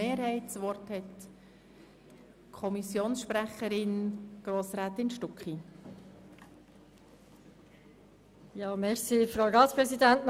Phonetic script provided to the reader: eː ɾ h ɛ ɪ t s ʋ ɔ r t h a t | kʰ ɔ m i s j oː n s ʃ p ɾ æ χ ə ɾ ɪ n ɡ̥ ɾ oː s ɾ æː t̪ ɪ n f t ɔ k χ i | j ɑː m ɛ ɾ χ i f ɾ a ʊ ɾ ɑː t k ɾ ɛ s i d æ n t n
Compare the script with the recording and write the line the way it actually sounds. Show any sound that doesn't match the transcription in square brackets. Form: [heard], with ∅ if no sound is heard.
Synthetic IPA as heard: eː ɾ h ɛ ɪ t s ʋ ɔ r t h [ɛ] t | kʰ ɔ m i s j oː n s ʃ p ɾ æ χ ə ɾ ɪ n ɡ̥ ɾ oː s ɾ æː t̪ ɪ n [ʃ] t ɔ k χ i | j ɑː m ɛ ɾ [s] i f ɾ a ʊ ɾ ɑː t [p] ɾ ɛ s i d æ n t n

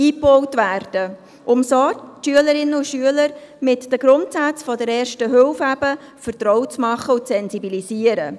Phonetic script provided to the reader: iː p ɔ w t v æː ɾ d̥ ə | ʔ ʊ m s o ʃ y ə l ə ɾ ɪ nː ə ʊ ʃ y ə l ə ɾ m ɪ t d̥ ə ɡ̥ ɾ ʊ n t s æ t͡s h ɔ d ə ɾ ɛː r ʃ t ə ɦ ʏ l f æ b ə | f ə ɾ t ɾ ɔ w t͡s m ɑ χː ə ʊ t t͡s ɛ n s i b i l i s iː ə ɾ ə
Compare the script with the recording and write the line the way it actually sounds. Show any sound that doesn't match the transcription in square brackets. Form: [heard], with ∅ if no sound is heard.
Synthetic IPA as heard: iː p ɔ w t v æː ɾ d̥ ə | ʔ ʊ m s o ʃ y ə l ə ɾ ɪ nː ə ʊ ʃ y ə l ə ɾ m ɪ t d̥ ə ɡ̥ ɾ ʊ n t s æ t͡s [f] ɔ d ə ɾ ɛː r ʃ t ə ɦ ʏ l f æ b ə | f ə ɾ t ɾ ɔ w t͡s m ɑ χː ə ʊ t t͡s ɛ n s i b i l i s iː ə ɾ ə

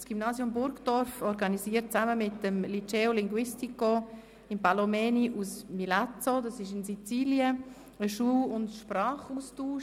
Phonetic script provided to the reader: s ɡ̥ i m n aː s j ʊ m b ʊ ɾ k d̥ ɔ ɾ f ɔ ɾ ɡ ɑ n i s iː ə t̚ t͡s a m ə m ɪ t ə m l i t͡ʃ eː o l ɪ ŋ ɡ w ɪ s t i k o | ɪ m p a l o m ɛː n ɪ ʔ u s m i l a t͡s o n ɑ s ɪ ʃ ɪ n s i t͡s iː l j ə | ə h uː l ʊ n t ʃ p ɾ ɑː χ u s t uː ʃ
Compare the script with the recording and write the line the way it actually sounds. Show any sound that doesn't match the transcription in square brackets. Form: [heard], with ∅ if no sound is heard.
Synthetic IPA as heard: s ɡ̥ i m n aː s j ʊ m b ʊ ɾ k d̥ ɔ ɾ f ɔ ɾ ɡ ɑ n i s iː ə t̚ t͡s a m ə m ɪ t ə m l i t͡ʃ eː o l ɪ ŋ ɡ w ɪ s t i k o | ɪ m p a l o m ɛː n [i] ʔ u s m i l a t͡s o [d] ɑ s ɪ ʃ ɪ n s i t͡s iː l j ə | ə [ʃ] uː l ʊ n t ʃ p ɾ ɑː χ u s t uː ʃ

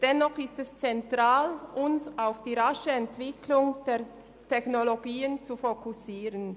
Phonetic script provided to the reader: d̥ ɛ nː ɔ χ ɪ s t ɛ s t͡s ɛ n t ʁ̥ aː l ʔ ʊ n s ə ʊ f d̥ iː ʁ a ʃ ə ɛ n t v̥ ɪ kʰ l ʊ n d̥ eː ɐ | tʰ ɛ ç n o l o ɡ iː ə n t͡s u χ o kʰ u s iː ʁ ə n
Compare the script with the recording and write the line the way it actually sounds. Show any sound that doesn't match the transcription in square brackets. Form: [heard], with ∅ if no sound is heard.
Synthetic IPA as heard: d̥ ɛ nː ɔ χ ɪ s t ɛ s t͡s ɛ n t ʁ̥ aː l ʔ ʊ n s [a] ʊ f d̥ iː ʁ a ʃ ə ɛ n t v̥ ɪ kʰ l ʊ [ŋ] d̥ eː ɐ | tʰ ɛ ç n o l o ɡ iː ə n t͡s u [f] o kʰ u s iː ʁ ə n

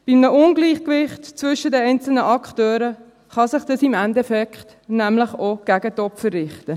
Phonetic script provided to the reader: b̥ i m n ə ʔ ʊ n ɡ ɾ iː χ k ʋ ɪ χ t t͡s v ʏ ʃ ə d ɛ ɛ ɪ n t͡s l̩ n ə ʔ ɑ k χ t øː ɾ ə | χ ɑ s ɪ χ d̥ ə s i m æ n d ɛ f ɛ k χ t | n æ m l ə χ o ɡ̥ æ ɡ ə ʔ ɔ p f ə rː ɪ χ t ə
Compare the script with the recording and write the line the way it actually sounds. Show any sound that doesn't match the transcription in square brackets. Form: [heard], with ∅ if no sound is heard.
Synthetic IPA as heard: b̥ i m n ə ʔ ʊ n ɡ [l] iː χ k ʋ ɪ χ t t͡s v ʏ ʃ ə d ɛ ɛ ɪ n t͡s l̩ n ə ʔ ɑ k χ t øː ɾ ə | χ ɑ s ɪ χ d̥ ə s i m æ n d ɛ f ɛ k χ t | n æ m l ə χ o ɡ̥ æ ɡ ə [t] ɔ p f ə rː ɪ χ t ə

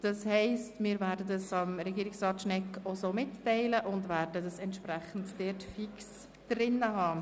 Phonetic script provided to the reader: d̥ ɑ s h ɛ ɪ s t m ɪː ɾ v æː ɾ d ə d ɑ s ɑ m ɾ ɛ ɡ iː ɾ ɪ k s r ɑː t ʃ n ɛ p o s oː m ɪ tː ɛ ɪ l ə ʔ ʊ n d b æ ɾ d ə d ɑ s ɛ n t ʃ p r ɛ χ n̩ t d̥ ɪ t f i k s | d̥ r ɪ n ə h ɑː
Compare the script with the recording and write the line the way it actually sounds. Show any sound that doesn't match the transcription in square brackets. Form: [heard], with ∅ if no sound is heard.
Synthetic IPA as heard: d̥ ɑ s h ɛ ɪ s t m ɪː ɾ v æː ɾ d ə d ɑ s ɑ m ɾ ɛ ɡ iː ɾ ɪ k s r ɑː t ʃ n ɛ [k] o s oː m ɪ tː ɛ ɪ l ə ʔ ʊ n d [v] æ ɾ d ə d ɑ s ɛ n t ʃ p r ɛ χ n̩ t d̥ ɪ t f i k s | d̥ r ɪ n ə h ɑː

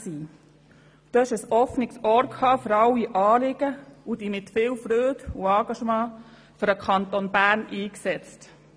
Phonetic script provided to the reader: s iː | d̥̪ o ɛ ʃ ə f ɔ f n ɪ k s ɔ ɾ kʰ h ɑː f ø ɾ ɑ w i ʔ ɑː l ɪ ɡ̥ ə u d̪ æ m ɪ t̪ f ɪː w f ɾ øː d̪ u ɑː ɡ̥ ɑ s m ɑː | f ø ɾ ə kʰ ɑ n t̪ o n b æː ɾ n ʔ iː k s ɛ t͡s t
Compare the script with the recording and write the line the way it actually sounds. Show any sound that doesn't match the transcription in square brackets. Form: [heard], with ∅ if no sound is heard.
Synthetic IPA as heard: s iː | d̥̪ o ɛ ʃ ə [s] ɔ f n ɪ k s ɔ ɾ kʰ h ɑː f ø ɾ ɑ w i ʔ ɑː l ɪ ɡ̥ ə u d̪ [i] m ɪ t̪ f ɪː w f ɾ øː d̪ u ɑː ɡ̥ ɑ [ʃ] m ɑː | f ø ɾ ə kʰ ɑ n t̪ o n b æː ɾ n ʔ iː k s ɛ t͡s t

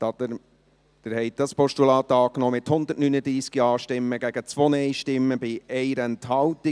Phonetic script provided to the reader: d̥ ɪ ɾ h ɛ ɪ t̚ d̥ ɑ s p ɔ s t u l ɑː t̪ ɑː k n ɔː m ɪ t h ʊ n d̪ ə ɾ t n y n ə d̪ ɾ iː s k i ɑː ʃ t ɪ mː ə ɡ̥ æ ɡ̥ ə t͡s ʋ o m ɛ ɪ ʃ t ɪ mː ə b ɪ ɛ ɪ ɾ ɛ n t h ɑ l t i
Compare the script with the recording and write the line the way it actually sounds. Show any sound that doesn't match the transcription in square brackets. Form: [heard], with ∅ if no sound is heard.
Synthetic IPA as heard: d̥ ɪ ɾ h ɛ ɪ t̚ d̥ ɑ s p ɔ [ʃ] t u l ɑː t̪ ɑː k n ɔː m ɪ t h ʊ n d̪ ə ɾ t n y n ə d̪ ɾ iː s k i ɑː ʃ t ɪ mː ə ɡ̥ æ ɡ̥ ə t͡s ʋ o [n] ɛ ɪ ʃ t ɪ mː ə b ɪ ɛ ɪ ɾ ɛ n t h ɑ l t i

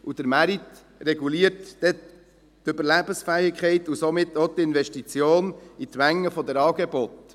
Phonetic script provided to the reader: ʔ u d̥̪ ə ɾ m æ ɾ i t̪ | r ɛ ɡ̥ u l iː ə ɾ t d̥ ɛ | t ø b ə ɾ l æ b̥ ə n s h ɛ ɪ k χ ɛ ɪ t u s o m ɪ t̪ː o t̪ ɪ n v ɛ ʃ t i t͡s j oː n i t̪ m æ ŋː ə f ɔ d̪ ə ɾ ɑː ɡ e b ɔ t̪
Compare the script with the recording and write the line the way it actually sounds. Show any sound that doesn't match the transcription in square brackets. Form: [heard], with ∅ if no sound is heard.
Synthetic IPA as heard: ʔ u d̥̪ ə ɾ m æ ɾ i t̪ | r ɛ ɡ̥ u l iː ə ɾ t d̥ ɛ | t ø b ə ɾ l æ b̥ ə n s [f] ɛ ɪ k χ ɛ ɪ t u s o m ɪ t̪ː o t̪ ɪ n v ɛ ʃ t i t͡s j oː n i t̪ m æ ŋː ə f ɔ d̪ ə ɾ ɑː ɡ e b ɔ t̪

